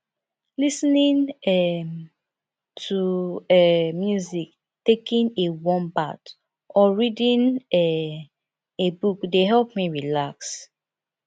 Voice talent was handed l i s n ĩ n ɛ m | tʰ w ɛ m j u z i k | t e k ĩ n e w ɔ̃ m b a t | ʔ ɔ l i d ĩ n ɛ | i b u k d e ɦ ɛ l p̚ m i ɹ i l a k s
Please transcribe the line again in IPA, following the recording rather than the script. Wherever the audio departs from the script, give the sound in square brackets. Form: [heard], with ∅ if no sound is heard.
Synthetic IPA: l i s n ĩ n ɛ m | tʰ [u] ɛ m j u z i k | t e k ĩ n e w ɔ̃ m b a t | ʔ ɔ [ɹ] i d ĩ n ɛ | [e] b u k d e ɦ ɛ l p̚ m i ɹ i l a k s